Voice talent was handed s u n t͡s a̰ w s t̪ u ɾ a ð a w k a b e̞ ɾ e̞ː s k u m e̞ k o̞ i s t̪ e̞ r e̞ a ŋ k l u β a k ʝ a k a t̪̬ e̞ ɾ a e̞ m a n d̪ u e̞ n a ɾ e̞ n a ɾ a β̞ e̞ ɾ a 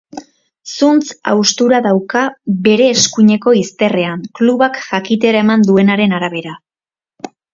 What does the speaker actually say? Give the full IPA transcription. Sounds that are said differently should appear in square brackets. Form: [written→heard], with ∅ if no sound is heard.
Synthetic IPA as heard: s u n t͡s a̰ w s t̪ u ɾ a ð a w k a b e̞ ɾ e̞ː s k u [m→ɲ] e̞ k o̞ i s t̪ e̞ r e̞ a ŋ k l u β a k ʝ a k [a→i] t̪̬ e̞ ɾ a e̞ m a n d̪ u e̞ n a ɾ e̞ n a ɾ a β̞ e̞ ɾ a